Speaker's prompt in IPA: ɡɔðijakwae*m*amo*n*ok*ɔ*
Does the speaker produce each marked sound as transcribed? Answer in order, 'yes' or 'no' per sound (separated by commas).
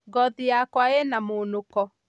no, yes, yes